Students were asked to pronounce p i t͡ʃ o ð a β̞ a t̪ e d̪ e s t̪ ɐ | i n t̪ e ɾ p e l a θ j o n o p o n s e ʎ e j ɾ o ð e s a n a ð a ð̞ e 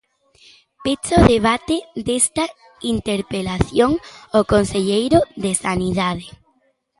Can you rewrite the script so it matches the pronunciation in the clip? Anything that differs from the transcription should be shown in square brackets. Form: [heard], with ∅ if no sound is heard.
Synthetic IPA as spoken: p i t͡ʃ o ð [e] β̞ a t̪ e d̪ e s t̪ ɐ | i n t̪ e ɾ p e l a θ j o [ŋ] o [k] o n s e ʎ e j ɾ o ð e s a n [i] ð a ð̞ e